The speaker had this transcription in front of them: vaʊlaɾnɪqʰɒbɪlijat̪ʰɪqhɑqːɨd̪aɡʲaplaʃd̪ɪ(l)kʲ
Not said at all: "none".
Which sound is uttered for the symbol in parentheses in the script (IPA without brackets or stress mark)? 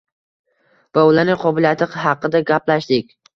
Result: none